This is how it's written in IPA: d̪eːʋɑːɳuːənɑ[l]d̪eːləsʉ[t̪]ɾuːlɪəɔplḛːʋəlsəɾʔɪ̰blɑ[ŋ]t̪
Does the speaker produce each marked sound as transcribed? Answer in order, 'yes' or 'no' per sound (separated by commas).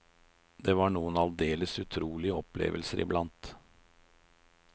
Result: yes, no, no